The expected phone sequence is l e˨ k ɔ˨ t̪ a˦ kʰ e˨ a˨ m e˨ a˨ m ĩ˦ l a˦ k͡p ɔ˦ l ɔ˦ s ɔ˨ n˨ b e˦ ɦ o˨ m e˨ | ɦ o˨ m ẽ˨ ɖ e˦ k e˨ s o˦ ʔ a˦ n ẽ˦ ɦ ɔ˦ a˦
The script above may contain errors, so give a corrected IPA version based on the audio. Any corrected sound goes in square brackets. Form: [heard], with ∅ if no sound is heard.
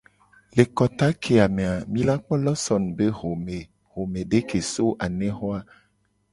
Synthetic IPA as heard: l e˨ k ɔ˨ t̪ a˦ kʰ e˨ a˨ m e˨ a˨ m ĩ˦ l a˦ k͡p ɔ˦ l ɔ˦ s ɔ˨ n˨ b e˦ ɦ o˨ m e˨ | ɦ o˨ m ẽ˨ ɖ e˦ k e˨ s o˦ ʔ [a˨] n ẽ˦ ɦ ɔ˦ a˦